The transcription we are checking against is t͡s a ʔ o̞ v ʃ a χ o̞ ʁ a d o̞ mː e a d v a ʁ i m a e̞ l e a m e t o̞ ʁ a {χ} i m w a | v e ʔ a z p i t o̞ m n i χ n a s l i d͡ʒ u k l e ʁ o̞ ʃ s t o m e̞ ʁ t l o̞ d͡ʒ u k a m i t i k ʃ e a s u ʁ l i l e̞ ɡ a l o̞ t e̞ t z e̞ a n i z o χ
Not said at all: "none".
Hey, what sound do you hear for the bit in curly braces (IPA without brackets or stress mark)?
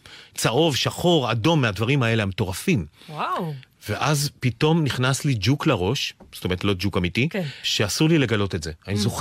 f